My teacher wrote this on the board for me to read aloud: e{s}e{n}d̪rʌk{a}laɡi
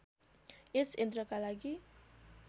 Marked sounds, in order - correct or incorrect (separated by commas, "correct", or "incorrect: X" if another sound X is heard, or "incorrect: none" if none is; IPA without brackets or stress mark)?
correct, correct, correct